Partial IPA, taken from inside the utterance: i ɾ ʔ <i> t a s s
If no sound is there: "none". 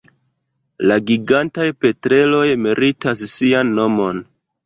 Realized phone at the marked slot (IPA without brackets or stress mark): i